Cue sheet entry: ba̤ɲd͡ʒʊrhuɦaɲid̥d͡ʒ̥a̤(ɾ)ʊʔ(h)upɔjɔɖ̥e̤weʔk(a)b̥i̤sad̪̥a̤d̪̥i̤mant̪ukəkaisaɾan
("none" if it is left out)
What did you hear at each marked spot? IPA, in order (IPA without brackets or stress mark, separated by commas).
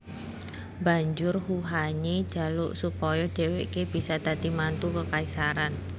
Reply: l, s, e